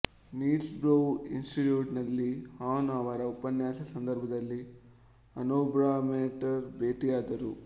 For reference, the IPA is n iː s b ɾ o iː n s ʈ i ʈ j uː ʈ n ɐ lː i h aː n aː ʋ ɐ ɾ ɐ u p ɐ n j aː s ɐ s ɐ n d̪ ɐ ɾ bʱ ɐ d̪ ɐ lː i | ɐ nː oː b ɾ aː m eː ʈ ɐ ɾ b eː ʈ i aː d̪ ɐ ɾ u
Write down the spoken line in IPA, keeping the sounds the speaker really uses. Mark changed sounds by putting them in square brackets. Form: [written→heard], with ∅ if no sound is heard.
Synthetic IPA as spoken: n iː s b ɾ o [iː→i] n s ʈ i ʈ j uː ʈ n ɐ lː i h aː n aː ʋ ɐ ɾ ɐ u p ɐ n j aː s ɐ s ɐ n d̪ ɐ ɾ bʱ ɐ d̪ ɐ lː i | ɐ [nː→n] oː b ɾ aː m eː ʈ ɐ ɾ b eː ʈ i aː d̪ ɐ ɾ u